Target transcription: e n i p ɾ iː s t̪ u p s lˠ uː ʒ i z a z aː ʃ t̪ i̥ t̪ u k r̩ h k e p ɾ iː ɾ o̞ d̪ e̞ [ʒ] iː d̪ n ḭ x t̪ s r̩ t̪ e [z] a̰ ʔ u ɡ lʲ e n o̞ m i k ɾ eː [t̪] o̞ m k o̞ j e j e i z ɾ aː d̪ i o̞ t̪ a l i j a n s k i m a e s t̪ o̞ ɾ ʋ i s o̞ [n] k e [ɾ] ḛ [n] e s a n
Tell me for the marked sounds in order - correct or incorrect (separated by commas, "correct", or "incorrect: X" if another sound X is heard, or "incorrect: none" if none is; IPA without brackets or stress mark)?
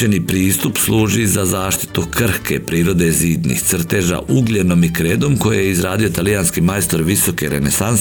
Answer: incorrect: z, incorrect: ʒ, incorrect: d̪, incorrect: none, correct, correct